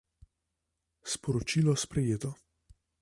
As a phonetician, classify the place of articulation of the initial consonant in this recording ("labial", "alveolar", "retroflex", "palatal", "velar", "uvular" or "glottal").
alveolar